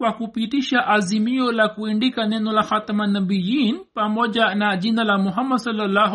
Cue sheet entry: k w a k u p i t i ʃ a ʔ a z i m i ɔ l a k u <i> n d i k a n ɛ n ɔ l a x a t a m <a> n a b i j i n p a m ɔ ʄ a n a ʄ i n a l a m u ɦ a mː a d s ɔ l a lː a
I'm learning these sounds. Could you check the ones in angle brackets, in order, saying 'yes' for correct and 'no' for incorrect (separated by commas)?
yes, yes